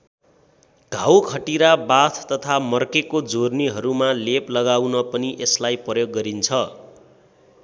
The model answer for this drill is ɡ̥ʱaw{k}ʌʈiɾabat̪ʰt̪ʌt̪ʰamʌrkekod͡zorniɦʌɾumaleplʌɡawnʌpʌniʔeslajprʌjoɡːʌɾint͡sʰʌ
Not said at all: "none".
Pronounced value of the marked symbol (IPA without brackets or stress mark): kʰ